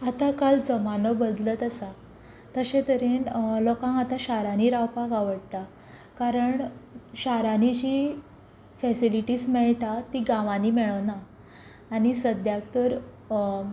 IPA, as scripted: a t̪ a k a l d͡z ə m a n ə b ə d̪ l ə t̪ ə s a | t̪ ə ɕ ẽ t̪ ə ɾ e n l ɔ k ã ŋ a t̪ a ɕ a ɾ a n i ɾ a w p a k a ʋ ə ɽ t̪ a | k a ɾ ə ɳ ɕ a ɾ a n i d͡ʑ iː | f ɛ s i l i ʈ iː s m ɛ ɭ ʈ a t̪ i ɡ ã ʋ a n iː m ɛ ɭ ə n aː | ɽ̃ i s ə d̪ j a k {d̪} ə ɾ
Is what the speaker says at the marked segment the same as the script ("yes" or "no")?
no